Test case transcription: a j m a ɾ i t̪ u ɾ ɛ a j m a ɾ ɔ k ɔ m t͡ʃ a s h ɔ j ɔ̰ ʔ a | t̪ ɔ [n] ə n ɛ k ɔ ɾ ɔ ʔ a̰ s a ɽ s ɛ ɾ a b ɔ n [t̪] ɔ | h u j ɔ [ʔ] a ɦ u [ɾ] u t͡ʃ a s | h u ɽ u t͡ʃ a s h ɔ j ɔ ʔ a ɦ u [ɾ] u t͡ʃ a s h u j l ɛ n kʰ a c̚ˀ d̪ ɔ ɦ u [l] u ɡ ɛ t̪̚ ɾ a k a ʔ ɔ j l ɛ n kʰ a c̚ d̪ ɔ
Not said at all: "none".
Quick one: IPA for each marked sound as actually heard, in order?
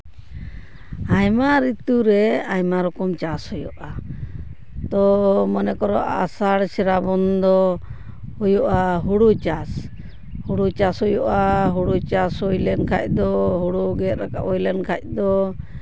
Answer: m, d̪, ʔ, ɽ, ɽ, ɽ

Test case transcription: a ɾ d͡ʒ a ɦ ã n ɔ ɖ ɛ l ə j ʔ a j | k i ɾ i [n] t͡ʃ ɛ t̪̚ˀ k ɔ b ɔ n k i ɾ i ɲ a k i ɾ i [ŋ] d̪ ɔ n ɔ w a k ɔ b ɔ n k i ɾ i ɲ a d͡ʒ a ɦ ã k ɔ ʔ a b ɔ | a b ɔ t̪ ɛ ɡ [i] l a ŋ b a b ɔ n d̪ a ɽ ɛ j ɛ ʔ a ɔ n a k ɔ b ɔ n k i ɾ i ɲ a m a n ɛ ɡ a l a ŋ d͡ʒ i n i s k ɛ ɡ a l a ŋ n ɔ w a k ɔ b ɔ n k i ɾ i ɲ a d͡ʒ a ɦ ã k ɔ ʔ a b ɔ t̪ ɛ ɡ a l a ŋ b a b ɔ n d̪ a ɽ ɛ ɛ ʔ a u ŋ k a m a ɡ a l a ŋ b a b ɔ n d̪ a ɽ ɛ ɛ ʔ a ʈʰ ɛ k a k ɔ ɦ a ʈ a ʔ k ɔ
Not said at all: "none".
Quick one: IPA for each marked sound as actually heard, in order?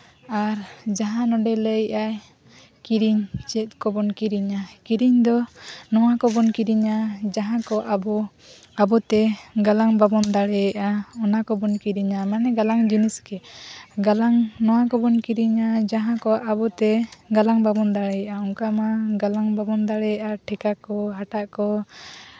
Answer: ɲ, ɲ, a

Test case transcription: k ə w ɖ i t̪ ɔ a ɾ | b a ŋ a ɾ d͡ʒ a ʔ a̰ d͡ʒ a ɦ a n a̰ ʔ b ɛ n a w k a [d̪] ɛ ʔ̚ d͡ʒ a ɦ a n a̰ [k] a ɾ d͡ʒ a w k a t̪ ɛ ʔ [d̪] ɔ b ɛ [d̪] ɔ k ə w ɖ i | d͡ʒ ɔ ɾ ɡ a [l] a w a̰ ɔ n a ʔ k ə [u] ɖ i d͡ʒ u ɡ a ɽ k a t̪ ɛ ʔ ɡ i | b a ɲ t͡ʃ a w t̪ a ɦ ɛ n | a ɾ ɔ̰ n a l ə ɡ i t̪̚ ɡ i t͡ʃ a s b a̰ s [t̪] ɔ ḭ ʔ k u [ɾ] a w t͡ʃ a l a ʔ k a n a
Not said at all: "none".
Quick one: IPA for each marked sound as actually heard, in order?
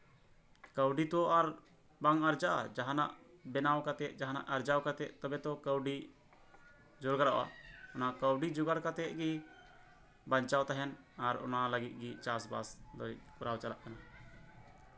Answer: t̪, ʔ, t̪, t̪, ɾ, w, d̪, ɾ

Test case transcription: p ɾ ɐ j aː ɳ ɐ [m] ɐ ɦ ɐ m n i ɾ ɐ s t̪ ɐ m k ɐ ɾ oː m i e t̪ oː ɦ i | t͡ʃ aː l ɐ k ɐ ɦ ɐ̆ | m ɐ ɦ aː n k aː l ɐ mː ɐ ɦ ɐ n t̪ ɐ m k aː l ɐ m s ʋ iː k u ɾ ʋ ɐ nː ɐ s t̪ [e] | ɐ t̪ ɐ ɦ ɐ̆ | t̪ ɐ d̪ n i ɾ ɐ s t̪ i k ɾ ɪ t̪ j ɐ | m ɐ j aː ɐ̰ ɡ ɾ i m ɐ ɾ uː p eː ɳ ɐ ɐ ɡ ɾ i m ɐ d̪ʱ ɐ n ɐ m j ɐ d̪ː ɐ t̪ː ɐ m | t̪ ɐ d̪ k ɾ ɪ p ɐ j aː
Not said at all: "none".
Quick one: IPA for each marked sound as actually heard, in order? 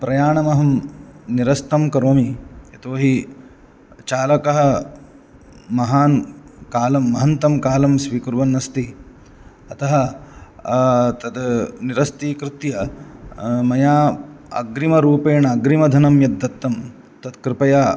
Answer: m, i

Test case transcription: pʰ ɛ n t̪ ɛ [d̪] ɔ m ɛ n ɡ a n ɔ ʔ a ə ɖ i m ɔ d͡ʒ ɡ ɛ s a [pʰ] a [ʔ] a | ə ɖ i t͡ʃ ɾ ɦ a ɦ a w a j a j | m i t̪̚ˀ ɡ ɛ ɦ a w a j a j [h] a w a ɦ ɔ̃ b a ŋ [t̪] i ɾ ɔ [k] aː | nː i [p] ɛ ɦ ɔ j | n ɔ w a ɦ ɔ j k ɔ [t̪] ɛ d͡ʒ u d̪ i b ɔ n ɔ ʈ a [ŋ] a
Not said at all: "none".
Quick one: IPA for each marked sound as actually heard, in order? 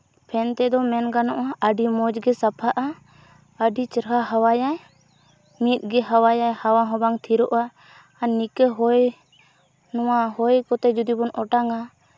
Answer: d̪, pʰ, ʔ, h, t̪ʰ, ʔ, k, t̪, ŋ

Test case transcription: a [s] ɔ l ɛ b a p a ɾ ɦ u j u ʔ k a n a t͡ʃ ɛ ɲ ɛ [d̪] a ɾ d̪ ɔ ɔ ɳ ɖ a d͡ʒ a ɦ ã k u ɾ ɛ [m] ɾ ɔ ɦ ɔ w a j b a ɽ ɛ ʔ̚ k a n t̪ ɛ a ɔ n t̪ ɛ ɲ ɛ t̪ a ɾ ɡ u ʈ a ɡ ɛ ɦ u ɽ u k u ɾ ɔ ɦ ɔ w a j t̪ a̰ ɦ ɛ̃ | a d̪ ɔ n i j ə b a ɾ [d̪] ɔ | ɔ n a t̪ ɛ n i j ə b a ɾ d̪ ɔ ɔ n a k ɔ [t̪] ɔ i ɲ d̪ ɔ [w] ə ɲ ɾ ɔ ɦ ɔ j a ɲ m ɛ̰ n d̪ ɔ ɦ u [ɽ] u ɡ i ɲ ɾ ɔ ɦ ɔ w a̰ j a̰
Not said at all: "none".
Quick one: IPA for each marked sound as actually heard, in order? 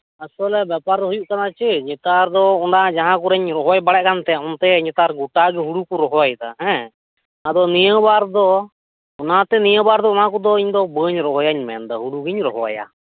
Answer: s, t̪, ɲ, d̪, d̪, b, ɽ

